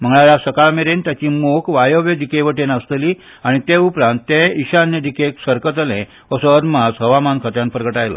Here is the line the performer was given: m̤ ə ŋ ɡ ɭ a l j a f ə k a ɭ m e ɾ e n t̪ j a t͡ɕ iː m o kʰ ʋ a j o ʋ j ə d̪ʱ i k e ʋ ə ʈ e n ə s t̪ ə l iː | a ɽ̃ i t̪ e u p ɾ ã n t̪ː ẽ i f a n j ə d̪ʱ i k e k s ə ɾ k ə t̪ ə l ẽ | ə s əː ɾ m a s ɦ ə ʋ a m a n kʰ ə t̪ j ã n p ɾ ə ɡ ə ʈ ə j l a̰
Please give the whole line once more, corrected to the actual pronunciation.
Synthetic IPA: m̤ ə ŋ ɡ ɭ a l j a s ə k a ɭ m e ɾ e n t̪ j a t͡ɕ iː m o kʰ ʋ a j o ʋ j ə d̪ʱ i k e ʋ ə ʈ e n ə s t̪ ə l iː | a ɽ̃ i t̪ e u p ɾ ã n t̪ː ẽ i ɕ a n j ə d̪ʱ i k e k s ə ɾ k ə t̪ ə l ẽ | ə s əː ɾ m a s ɦ ə ʋ a m a n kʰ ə t̪ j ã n p ɾ ə ɡ ə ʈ a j l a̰